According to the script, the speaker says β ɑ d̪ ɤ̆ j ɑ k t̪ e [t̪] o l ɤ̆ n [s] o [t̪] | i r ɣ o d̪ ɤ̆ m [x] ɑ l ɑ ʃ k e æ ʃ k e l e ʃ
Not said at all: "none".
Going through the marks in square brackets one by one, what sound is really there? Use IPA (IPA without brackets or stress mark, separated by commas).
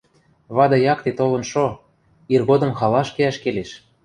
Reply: t̪, ʃ, none, x